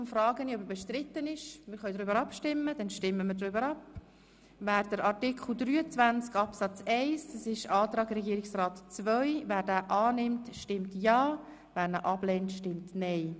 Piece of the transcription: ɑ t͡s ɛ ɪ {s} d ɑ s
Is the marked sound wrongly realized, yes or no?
no